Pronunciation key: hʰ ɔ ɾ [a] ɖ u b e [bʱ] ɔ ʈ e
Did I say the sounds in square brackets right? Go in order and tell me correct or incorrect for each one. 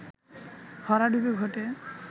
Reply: correct, incorrect

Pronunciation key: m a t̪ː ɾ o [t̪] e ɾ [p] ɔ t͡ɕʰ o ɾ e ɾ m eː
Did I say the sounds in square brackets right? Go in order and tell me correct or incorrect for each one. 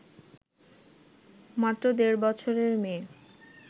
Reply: incorrect, incorrect

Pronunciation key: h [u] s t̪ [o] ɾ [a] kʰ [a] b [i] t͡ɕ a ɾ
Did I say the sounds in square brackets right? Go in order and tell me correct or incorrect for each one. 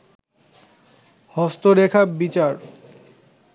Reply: incorrect, correct, incorrect, correct, correct

